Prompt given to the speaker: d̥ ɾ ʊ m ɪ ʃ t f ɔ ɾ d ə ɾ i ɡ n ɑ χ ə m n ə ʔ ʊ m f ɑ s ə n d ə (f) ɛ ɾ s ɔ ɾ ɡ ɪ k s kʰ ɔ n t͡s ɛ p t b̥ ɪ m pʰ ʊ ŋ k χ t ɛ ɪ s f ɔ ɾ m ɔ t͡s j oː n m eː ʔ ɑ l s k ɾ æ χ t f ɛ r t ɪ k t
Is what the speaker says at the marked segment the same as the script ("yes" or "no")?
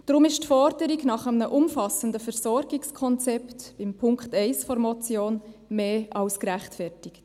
yes